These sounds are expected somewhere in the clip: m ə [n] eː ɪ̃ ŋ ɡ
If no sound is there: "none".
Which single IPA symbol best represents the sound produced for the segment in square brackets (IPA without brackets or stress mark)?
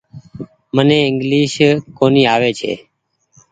n